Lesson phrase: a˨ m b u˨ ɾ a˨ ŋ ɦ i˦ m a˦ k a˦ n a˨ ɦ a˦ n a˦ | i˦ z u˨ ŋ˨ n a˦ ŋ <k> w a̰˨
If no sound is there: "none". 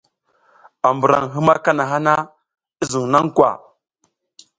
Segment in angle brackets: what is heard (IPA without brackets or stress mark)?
k